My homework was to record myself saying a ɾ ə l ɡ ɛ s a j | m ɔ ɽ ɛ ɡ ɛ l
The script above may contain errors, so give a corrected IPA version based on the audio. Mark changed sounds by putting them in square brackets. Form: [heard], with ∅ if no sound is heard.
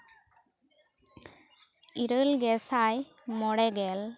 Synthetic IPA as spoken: [i] ɾ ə l ɡ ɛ s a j | m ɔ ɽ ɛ ɡ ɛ l